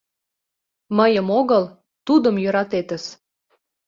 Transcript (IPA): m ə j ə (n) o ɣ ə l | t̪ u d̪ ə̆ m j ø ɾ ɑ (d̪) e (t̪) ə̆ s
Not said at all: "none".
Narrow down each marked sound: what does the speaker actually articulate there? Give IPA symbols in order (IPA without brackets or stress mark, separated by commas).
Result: m, t̪, t̪